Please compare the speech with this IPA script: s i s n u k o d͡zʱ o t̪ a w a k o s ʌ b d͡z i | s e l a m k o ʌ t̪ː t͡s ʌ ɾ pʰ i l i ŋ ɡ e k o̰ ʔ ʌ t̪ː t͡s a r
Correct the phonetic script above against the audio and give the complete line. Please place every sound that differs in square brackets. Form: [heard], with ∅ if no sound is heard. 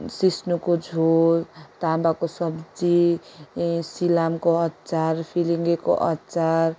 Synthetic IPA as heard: s i s n u k o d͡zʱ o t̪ a [b] a k o s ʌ b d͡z i | s [i] l a m k o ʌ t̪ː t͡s [a] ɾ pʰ i l i ŋ ɡ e k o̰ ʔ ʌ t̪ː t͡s a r